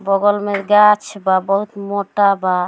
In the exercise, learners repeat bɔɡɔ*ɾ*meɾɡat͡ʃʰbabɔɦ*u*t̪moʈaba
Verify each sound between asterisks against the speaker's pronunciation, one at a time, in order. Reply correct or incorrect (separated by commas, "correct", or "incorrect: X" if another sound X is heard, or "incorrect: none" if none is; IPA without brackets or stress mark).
incorrect: l, correct